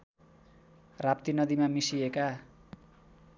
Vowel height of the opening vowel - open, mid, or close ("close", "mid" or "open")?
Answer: open